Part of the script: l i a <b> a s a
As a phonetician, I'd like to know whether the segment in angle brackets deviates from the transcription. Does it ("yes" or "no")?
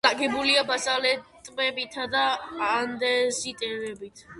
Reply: no